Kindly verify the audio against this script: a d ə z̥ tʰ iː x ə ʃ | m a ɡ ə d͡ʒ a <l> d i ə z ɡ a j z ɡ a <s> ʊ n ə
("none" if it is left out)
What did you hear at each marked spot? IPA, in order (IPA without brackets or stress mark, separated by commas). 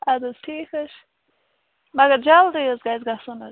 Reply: l, s